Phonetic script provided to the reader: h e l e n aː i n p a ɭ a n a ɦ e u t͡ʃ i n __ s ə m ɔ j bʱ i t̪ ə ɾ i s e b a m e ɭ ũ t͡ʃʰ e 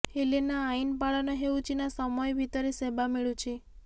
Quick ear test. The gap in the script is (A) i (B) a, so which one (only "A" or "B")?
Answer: B